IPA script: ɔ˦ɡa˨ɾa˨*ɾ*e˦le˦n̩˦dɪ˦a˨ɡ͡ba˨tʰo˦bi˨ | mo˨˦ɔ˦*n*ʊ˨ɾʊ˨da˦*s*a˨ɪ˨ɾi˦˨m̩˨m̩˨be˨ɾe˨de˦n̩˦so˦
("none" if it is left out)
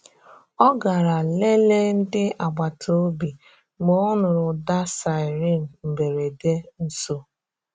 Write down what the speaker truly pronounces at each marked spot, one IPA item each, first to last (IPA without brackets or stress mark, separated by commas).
l, n, s